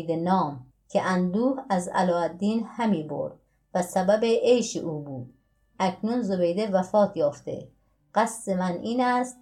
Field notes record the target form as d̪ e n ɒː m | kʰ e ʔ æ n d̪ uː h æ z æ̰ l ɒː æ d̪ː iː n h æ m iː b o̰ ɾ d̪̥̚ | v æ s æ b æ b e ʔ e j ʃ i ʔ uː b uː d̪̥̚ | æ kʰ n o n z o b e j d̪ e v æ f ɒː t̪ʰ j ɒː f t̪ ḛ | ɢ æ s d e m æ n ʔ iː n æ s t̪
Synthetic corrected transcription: d̪ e n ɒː m | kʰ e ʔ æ n d̪ uː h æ z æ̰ l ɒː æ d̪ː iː n h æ m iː b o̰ ɾ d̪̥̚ | v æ s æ b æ b e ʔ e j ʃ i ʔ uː b uː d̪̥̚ | æ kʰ n u n z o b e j d̪ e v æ f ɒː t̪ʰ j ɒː f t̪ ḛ | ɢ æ s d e m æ n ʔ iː n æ s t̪